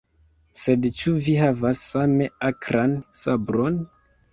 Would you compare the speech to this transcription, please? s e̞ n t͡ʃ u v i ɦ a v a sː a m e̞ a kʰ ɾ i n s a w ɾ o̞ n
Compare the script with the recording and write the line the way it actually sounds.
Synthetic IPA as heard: s e̞ d t͡ʃ u v i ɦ a v a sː a m e̞ a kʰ ɾ a n s a b ɾ o̞ n